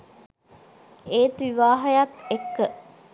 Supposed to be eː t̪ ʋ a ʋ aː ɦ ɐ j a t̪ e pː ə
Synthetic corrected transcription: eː t̪ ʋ i ʋ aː ɦ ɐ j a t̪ e kː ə